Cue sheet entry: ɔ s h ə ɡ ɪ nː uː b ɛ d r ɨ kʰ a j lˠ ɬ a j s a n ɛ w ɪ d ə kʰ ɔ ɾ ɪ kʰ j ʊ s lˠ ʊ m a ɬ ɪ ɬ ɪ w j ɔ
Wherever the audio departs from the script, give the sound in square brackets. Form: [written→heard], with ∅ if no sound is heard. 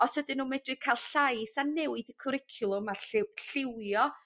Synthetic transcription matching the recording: ɔ s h ə [ɡ→d] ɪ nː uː [b→m] ɛ d r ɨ kʰ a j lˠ ɬ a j s a n ɛ w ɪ d ə kʰ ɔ ɾ ɪ kʰ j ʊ [s→∅] lˠ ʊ m a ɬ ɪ ɬ ɪ w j ɔ